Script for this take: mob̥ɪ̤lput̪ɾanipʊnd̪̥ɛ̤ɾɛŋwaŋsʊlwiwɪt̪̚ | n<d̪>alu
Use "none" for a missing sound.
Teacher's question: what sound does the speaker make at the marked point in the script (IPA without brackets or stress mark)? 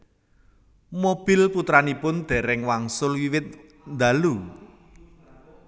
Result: d̪